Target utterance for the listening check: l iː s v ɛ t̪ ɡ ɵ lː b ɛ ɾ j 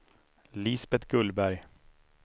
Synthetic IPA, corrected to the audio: l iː s b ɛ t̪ ɡ ɵ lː b æ ɾ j